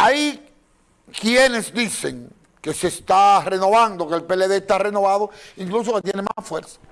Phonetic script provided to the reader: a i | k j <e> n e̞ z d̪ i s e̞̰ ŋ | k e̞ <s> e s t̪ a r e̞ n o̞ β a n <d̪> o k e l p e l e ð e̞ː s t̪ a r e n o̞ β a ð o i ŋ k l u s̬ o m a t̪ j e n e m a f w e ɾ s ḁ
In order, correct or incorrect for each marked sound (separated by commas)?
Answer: correct, correct, correct